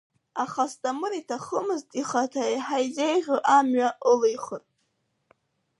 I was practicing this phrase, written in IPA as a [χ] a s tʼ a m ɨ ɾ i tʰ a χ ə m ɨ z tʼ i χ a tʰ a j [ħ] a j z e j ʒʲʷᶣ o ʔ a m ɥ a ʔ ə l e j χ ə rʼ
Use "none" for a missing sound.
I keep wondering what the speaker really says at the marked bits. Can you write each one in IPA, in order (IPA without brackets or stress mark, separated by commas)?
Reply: χ, ħ